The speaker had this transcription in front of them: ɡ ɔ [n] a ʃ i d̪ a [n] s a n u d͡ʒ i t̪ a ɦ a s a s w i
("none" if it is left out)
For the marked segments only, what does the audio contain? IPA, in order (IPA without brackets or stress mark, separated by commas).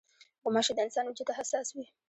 m, n